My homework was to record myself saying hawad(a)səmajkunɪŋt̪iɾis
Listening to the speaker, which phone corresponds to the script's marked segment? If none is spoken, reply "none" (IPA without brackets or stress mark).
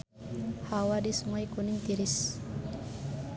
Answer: i